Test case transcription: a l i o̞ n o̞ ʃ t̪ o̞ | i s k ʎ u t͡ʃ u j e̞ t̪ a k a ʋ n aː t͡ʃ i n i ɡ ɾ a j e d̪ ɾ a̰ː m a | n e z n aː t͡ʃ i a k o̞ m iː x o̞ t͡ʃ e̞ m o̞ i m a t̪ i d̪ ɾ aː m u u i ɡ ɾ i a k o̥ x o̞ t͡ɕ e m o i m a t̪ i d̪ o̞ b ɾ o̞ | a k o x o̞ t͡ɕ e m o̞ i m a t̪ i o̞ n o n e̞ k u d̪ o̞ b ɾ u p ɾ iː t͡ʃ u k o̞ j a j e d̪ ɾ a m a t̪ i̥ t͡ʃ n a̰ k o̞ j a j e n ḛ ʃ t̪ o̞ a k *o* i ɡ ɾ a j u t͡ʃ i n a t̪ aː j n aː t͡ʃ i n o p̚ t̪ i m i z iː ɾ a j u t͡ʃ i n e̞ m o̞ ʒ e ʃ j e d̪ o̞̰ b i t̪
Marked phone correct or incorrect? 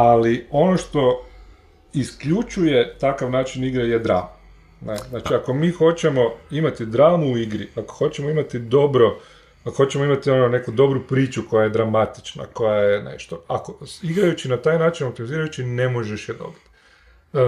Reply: correct